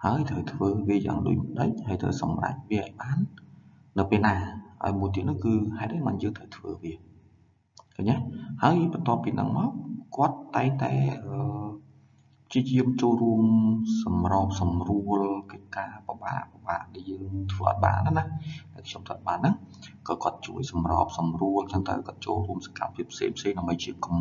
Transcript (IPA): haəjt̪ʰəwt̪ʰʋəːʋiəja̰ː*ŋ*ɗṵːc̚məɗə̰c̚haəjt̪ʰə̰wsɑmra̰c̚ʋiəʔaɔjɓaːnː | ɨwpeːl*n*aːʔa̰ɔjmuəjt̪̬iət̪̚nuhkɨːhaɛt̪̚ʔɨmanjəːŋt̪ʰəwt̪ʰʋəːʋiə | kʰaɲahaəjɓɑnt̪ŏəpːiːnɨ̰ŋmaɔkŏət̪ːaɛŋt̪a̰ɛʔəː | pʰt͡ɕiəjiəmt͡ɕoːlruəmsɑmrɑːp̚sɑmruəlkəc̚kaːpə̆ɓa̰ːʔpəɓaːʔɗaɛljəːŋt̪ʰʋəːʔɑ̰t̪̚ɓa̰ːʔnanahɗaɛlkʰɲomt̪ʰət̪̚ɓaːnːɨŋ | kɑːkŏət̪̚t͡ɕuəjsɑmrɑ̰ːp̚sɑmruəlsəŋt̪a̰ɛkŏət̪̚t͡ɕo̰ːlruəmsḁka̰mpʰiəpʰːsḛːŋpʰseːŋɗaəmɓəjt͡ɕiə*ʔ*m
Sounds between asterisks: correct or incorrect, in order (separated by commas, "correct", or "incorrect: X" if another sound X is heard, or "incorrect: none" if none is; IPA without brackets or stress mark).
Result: correct, correct, incorrect: k